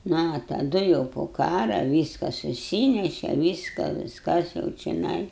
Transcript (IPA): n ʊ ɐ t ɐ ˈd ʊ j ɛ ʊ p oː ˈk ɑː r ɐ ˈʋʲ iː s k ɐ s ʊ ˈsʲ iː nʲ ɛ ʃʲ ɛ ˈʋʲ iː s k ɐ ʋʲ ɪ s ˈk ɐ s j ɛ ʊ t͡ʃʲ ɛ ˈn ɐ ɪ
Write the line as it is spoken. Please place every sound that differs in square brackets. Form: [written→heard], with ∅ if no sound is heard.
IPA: n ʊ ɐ t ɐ ˈd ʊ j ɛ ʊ p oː ˈk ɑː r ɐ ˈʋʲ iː s k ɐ s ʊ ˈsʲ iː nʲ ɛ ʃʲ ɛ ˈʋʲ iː s k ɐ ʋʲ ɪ s ˈk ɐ s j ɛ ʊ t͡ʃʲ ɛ ˈn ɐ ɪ